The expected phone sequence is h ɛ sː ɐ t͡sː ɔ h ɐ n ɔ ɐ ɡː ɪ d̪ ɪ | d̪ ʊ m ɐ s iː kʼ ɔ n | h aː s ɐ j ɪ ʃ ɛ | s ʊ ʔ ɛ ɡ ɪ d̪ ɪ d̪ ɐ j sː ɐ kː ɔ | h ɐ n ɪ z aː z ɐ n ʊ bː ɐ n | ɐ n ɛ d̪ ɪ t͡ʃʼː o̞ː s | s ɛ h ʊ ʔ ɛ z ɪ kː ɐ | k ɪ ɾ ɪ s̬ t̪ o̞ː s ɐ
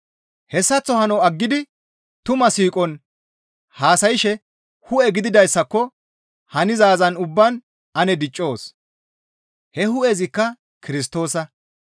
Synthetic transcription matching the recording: h ɛ sː ɐ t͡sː ɔ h ɐ n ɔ ɐ ɡː ɪ d̪ ɪ | t̪ ʊ m ɐ s iː kʼ ɔ n | h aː s ɐ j ɪ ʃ ɛ | h ʊ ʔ ɛ ɡ ɪ d̪ ɪ d̪ ɐ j sː ɐ kː ɔ | h ɐ n ɪ z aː z ɐ n ʊ bː ɐ n | ɐ n ɛ d̪ ɪ t͡ʃʼː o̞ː s | h ɛ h ʊ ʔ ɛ z ɪ kː ɐ | k ɪ ɾ ɪ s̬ t̪ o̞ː s ɐ